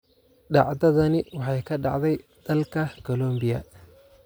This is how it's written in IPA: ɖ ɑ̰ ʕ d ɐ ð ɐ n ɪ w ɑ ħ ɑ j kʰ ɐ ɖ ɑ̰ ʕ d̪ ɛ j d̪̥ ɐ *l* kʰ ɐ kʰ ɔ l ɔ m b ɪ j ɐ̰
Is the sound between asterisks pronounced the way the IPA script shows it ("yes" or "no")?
yes